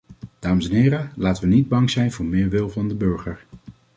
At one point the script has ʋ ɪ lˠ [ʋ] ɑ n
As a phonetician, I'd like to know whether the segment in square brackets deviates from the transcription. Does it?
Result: yes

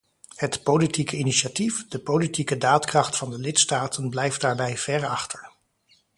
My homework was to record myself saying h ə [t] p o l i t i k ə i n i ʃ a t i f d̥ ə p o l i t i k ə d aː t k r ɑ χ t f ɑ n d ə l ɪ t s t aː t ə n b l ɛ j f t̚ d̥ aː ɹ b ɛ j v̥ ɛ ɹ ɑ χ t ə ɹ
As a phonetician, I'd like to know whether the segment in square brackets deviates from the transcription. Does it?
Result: no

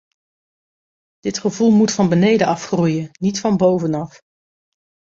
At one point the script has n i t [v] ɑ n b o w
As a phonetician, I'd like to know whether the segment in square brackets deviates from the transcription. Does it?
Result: yes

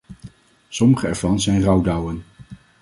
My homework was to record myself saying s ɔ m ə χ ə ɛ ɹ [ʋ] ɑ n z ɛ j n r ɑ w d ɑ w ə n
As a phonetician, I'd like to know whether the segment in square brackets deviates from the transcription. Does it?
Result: yes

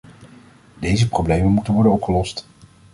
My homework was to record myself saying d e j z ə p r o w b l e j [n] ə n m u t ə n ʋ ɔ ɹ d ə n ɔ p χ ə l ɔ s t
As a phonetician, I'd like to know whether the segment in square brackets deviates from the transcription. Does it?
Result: yes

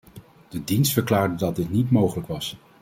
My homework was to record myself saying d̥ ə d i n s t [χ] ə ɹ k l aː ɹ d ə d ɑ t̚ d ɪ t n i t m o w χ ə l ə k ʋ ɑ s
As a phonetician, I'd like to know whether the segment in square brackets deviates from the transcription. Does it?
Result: yes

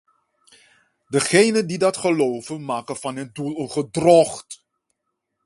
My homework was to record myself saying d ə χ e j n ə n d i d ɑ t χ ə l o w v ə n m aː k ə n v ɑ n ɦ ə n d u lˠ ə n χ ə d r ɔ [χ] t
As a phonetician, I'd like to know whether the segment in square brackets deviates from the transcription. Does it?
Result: no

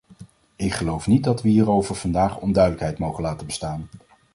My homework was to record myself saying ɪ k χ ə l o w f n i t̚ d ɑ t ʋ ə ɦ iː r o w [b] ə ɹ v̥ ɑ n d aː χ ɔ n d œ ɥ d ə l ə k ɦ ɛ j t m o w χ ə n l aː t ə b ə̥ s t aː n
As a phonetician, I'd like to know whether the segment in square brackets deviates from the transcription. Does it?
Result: yes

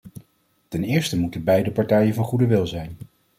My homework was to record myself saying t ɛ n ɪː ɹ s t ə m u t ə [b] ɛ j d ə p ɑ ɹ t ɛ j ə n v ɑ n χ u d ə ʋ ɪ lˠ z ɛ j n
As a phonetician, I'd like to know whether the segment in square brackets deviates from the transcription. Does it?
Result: no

